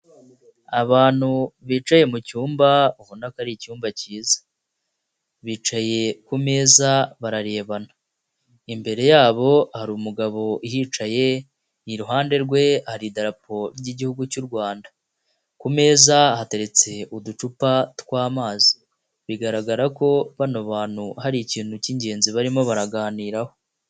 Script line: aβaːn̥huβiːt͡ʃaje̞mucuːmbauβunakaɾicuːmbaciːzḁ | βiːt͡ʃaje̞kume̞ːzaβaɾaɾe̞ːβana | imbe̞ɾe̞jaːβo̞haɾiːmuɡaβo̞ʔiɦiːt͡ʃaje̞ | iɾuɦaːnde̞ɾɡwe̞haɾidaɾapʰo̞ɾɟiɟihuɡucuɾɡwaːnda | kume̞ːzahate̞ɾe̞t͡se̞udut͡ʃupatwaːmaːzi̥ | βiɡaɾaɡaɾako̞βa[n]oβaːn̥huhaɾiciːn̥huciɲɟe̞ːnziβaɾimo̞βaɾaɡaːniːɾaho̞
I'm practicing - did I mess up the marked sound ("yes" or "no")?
no